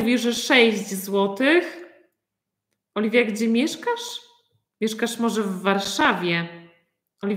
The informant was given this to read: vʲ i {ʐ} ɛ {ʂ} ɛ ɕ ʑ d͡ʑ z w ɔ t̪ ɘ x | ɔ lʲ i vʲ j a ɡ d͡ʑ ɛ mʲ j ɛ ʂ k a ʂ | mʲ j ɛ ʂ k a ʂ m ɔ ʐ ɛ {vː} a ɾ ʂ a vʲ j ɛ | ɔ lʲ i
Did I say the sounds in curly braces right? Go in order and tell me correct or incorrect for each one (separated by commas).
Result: correct, correct, correct